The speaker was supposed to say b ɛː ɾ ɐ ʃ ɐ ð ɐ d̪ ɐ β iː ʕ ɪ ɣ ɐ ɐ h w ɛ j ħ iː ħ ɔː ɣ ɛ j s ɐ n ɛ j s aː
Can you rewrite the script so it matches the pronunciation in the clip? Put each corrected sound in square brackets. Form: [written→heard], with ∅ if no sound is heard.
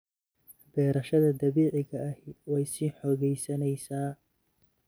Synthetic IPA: b ɛː ɾ ɐ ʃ ɐ ð ɐ d̪ ɐ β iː ʕ ɪ ɣ ɐ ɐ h w ɛ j [ħ→s] iː ħ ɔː ɣ ɛ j s ɐ n ɛ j s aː